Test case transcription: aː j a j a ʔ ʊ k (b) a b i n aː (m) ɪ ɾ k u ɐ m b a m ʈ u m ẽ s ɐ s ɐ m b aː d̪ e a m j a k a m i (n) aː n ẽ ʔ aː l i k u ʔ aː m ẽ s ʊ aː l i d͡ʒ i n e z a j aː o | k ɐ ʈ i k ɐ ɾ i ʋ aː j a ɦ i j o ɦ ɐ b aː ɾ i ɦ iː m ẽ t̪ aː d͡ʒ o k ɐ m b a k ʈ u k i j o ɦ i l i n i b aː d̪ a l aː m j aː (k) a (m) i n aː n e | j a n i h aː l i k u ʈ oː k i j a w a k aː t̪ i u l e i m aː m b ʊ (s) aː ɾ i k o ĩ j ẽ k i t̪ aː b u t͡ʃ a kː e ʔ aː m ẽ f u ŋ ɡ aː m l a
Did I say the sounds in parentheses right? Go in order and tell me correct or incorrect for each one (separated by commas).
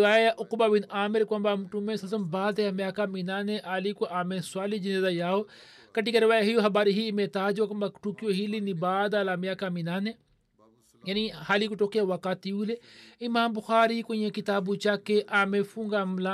correct, correct, correct, correct, correct, incorrect